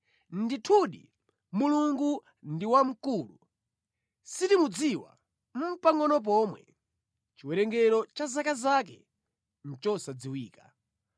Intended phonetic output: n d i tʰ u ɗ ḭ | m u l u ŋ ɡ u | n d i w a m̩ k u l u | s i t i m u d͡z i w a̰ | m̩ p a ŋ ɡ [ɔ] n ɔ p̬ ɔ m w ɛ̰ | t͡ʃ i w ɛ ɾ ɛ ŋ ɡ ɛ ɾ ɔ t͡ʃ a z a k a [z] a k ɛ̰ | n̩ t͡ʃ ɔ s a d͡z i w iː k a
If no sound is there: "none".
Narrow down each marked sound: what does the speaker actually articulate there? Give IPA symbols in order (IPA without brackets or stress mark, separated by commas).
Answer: ɔ, z